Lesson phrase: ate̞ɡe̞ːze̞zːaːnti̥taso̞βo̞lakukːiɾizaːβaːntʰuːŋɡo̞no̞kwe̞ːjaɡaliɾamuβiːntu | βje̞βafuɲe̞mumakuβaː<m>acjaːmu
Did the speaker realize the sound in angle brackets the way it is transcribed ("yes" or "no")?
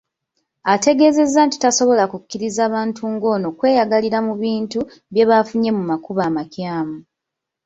yes